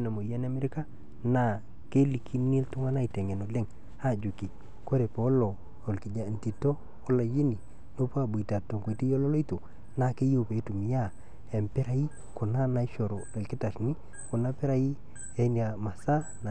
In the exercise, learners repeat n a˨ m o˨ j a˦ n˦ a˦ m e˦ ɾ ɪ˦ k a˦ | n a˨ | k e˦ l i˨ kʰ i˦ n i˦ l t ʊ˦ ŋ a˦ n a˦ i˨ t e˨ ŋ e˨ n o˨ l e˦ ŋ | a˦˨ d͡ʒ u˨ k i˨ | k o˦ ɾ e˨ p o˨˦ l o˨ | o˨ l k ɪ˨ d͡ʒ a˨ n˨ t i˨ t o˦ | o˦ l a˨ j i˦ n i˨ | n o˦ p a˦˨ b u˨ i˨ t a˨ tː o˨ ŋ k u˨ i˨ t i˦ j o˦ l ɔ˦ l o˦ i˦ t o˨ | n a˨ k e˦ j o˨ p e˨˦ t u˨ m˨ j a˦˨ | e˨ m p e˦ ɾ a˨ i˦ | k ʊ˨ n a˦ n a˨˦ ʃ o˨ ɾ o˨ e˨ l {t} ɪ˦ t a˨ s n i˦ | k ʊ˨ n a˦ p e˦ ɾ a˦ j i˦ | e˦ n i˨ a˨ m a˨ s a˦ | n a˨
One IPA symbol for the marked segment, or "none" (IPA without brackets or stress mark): k